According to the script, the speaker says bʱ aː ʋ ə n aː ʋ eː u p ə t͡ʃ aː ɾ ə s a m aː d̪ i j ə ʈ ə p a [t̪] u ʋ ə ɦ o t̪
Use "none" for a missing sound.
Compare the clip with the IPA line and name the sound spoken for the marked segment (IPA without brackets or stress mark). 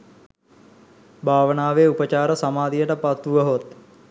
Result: t̪